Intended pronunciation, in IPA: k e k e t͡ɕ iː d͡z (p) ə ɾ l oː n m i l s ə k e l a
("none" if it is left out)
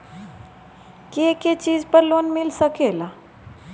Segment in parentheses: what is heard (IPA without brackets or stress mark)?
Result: p